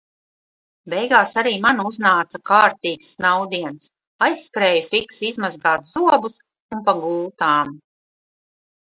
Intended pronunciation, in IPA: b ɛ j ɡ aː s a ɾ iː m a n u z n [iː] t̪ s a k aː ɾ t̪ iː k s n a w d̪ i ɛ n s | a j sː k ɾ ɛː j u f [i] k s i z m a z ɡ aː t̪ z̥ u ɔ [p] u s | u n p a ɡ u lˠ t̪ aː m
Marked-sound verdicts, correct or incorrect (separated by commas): incorrect, correct, incorrect